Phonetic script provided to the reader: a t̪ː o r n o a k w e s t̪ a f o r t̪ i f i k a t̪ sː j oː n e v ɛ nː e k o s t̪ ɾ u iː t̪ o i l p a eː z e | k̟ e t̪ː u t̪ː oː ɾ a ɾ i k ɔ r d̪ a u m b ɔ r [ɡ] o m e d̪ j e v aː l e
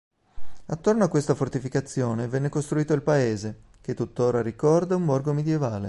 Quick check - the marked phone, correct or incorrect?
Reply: correct